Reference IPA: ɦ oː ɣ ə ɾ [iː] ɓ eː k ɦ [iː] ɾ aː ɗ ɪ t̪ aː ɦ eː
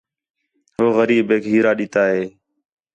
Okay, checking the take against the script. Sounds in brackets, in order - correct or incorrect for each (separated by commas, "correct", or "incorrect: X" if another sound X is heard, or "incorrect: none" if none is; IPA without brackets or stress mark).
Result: correct, correct